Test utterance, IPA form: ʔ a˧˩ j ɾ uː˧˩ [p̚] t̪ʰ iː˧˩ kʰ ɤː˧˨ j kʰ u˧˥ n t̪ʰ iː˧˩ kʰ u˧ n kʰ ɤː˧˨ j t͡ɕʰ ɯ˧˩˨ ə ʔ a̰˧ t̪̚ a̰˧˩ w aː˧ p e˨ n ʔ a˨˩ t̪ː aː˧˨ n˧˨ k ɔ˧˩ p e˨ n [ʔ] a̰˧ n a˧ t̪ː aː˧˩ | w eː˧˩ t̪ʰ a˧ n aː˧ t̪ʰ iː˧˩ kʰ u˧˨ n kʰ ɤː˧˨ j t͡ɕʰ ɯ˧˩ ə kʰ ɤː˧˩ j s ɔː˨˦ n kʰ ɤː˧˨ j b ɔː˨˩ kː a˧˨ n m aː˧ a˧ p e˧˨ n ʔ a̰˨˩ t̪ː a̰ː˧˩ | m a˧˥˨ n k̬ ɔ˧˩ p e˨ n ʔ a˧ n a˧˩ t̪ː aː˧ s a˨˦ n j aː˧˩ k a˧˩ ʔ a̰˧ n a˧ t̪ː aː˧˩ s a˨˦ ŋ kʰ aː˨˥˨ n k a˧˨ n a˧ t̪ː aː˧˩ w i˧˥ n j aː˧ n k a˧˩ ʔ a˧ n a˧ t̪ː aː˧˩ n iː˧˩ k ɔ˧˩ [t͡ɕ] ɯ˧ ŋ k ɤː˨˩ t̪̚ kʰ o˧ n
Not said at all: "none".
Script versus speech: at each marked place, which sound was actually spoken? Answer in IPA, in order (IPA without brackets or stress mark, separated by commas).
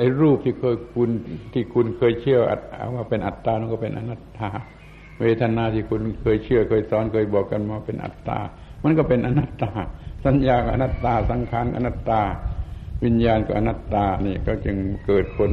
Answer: p̚, ʔ, t͡ɕ